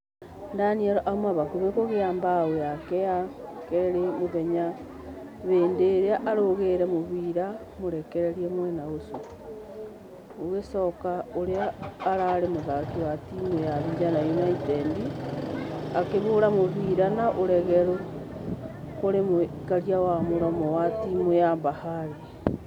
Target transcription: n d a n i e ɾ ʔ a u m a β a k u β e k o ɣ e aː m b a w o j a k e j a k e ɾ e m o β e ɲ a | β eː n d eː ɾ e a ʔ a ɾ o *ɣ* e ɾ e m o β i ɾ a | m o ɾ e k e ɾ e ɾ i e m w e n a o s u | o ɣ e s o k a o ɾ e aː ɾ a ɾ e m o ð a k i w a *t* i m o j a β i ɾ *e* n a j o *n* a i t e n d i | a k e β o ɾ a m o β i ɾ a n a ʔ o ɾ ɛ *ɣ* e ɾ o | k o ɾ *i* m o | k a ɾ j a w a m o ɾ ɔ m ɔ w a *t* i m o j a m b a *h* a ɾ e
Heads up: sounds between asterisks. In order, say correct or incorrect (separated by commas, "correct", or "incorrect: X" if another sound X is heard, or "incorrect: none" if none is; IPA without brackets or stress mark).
correct, correct, incorrect: a, correct, correct, incorrect: e, correct, correct